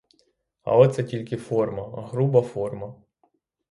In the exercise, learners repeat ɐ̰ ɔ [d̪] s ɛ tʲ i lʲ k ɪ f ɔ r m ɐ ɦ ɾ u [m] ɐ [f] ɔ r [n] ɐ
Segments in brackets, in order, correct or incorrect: incorrect, incorrect, correct, incorrect

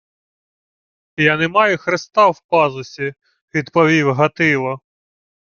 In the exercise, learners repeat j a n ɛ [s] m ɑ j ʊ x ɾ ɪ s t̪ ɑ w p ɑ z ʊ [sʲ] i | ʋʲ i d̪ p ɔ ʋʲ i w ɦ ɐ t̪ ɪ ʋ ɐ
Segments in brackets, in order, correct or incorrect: incorrect, correct

